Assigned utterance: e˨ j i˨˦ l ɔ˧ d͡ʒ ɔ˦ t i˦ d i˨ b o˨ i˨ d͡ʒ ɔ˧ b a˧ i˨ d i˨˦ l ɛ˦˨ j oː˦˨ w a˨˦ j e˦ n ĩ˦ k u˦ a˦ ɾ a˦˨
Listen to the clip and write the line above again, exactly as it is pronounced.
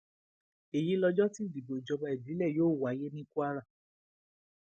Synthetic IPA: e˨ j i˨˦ l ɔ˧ d͡ʒ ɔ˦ t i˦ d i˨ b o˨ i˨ d͡ʒ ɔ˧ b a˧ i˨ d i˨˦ l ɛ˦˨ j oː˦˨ w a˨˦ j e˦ n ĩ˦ k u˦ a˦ ɾ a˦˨

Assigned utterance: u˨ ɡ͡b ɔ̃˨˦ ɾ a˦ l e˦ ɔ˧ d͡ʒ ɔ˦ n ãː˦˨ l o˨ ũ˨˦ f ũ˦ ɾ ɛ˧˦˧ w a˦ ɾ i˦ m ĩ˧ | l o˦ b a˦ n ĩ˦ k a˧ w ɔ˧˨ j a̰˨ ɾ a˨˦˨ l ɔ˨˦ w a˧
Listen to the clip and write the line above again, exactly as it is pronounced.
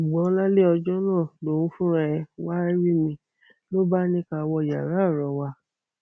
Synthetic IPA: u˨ ɡ͡b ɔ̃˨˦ l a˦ l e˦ ɔ˧ d͡ʒ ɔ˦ n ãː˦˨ l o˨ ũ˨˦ f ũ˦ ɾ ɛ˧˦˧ w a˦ ɾ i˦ m ĩ˧ | l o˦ b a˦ n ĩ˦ k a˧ w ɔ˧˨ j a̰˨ ɾ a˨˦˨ ɾ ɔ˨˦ w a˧

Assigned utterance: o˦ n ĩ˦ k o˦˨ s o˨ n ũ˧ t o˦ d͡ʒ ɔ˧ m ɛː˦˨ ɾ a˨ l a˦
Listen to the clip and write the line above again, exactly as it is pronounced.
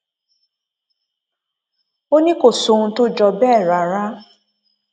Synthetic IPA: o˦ n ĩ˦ k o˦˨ s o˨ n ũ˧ t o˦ d͡ʒ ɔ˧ b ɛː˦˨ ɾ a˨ ɾ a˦

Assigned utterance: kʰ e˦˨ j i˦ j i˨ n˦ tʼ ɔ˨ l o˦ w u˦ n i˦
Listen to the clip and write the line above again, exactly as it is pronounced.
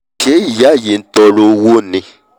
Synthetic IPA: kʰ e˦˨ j a˦ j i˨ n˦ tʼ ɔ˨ l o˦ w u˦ n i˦

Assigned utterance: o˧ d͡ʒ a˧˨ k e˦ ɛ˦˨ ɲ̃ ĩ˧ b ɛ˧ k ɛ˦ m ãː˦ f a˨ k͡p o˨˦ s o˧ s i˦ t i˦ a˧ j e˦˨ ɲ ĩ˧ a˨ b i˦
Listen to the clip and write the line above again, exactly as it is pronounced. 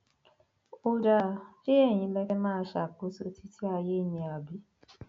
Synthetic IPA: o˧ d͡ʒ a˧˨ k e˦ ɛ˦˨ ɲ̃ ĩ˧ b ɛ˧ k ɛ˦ m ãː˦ ʃ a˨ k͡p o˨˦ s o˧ t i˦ t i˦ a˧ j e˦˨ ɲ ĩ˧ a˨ b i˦

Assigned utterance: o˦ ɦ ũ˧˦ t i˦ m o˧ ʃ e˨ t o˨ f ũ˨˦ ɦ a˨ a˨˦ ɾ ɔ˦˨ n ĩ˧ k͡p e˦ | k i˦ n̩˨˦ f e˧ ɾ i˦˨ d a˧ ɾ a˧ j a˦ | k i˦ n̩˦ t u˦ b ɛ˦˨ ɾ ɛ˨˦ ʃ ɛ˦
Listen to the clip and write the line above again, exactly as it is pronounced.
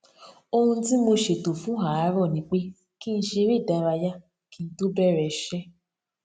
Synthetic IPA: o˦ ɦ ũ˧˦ t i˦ m o˧ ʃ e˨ t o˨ f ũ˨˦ ɦ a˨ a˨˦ ɾ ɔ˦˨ n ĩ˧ k͡p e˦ | k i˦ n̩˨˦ ʃ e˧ ɾ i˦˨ d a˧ ɾ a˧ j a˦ | k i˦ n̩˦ t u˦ b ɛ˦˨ ɾ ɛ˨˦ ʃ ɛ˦

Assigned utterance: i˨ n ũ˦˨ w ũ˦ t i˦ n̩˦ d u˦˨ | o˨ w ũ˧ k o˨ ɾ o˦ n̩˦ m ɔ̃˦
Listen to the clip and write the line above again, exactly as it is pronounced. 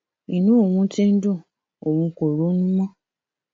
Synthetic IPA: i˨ n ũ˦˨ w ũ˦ t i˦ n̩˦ d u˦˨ | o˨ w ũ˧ k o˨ ɾ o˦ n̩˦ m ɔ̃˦

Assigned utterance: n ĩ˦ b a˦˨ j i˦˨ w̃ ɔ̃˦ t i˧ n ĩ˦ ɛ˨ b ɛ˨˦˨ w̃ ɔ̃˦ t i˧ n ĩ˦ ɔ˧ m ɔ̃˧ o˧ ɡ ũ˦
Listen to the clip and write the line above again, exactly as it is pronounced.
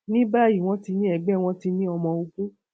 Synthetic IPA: n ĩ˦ b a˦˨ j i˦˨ w̃ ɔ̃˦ t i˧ n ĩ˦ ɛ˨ ɡ͡b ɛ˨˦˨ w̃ ɔ̃˦ t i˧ n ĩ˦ ɔ˧ m ɔ̃˧ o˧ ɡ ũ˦

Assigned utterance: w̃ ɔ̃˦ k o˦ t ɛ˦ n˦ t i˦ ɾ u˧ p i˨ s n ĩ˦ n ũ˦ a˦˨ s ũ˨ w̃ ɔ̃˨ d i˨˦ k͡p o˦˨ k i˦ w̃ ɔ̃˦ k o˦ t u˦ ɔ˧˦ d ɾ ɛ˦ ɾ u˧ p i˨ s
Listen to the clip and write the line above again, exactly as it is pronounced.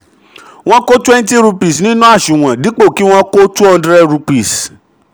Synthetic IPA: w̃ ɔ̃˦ k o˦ t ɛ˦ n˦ t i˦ ɾ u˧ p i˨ s n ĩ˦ n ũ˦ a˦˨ ʃ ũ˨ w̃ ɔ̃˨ d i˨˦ k͡p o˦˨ k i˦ w̃ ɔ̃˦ k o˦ t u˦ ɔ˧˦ d ɾ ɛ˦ ɾ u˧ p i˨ s

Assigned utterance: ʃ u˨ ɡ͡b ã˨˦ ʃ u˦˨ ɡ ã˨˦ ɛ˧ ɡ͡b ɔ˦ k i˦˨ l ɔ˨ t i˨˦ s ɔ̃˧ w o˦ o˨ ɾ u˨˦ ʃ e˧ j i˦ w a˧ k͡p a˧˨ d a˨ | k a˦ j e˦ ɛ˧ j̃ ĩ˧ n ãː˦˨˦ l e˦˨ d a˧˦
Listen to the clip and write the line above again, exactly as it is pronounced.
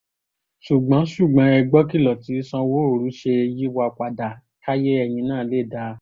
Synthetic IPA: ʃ u˨ ɡ͡b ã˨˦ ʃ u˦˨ ɡ͡b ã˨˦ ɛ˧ ɡ͡b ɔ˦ k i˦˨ l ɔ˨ t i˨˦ s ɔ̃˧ w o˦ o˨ ɾ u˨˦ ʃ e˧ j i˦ w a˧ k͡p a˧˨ d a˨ | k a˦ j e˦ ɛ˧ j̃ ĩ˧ n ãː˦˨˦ l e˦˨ d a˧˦

